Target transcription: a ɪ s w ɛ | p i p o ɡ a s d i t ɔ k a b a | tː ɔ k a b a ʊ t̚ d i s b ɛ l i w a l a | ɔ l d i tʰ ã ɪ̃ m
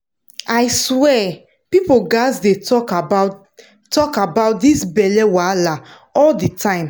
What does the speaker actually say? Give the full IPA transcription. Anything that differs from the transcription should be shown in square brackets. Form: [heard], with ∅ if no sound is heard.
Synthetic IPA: a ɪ s w ɛ | p i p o ɡ a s d [e] t ɔ k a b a | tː ɔ k a b a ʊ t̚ d i s b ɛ l [ɛ] w a l a | ɔ l d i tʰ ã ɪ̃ m